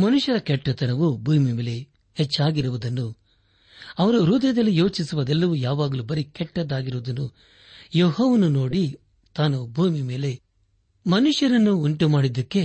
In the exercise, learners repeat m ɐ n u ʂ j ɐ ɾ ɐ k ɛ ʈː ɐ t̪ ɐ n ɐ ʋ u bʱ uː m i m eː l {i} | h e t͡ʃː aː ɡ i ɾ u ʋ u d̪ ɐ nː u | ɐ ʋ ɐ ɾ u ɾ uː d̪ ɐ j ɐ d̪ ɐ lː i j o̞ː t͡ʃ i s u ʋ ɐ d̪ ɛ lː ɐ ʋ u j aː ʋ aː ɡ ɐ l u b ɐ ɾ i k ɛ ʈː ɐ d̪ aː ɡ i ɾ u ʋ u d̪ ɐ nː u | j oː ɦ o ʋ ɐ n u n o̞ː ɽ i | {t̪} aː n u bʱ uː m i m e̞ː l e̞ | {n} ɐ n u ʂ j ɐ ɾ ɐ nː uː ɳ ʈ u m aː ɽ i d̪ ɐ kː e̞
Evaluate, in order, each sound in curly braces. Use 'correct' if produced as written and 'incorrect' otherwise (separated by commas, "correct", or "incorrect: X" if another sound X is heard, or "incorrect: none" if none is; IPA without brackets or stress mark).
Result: incorrect: e, correct, incorrect: m